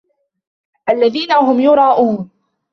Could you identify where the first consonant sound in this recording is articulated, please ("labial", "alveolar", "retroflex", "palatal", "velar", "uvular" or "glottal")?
glottal